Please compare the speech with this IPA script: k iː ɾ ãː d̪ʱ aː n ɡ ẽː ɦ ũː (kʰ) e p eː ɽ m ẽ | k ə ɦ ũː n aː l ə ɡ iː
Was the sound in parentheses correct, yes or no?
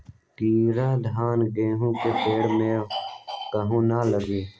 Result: no